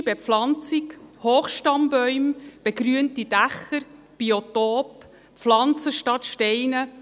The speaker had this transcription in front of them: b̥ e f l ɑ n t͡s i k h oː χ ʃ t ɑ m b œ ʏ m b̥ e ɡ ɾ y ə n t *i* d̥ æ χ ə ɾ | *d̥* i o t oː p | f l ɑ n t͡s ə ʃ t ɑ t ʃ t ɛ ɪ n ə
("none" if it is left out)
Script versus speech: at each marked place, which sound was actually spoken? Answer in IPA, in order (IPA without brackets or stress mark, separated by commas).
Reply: i, b̥